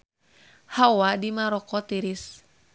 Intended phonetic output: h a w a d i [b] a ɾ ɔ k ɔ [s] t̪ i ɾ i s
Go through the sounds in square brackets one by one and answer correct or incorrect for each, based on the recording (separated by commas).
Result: incorrect, incorrect